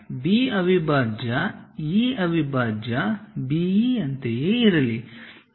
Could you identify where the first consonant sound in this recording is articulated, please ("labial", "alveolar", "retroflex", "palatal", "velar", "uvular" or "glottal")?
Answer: labial